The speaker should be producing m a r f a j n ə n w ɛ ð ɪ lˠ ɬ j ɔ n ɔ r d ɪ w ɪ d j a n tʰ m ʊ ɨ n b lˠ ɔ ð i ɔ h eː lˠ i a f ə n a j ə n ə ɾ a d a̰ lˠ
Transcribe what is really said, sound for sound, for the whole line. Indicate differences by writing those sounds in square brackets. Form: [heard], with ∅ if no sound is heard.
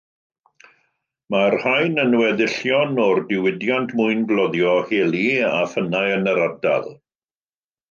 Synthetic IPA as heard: m a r [h] a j n ə n w ɛ ð ɪ [∅] ɬ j ɔ n ɔ r d ɪ w ɪ d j a n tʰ m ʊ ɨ n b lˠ ɔ ð [j] ɔ h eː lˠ i a f ə n a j ə n ə ɾ a d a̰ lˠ